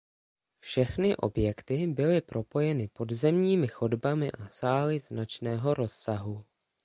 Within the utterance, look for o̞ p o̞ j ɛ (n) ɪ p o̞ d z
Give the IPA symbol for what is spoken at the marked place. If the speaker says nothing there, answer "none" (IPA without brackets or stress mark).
n